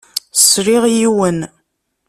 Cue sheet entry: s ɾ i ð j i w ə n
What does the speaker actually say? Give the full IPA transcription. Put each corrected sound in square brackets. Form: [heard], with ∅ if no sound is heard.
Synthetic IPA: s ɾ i [ʁ] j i w ə n

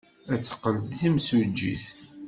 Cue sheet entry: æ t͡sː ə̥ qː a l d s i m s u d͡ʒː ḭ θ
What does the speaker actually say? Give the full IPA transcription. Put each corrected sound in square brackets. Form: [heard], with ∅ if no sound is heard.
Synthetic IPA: æ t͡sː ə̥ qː [ə] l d [θ] i m s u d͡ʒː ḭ θ

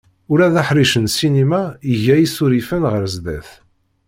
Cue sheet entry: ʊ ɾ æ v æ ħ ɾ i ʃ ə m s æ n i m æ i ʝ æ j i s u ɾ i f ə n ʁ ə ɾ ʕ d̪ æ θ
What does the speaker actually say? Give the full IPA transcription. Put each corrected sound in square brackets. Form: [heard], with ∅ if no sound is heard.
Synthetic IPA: ʊ ɾ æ [ð] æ ħ ɾ i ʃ ə [n] s [i] n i m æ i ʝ æ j i s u ɾ i f ə n ʁ ə ɾ [z] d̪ æ θ

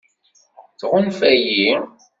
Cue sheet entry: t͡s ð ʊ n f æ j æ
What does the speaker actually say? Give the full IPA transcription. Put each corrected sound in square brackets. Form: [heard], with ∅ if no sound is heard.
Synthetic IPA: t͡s [ʁ] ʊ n f æ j [i]

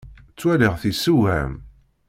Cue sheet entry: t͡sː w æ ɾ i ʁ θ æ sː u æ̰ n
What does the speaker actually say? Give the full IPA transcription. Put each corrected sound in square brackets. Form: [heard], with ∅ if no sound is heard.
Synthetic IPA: t͡sː w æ [l] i ʁ θ [i] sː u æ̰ [m]

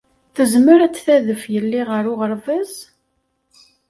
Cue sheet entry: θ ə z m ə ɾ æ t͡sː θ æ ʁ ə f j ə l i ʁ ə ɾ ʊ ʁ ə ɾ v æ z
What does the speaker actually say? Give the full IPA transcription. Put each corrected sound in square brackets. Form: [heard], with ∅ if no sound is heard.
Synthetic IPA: θ ə z m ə ɾ æ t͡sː θ æ [ð] ə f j ə [lː] i ʁ ə ɾ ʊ ʁ ə ɾ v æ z

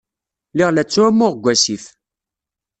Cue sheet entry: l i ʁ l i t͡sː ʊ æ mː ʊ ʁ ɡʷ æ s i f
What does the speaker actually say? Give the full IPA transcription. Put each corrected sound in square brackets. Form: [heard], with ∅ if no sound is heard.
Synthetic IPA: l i ʁ l [æ] t͡sː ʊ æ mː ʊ ʁ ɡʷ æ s i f

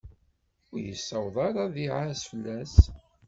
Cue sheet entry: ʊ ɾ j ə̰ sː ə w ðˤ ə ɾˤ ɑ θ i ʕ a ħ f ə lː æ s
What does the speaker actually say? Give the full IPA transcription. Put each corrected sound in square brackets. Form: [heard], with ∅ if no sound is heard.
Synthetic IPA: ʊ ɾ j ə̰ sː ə w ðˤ [ɑ] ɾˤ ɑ [ð] i ʕ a [s] f ə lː æ s

